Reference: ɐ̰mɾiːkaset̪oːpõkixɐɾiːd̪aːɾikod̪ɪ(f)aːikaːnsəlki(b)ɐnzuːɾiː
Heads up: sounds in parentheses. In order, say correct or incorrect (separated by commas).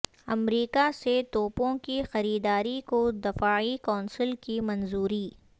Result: correct, incorrect